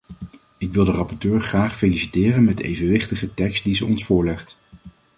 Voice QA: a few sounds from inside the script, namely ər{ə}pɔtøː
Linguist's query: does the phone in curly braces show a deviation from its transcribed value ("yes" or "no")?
yes